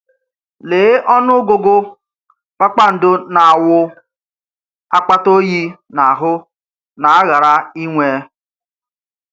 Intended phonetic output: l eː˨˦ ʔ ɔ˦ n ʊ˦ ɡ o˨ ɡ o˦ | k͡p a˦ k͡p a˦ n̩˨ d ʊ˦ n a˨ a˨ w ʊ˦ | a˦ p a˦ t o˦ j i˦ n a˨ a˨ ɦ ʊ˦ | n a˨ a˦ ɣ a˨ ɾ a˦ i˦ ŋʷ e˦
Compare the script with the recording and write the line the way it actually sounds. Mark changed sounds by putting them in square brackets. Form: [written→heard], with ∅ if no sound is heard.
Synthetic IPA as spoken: l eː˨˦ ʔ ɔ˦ n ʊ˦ ɡ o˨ ɡ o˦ | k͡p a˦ k͡p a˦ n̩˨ d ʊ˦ n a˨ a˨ w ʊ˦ | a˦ [p→k͡p] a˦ t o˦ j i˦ n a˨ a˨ ɦ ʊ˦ | n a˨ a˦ ɣ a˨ ɾ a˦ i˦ ŋʷ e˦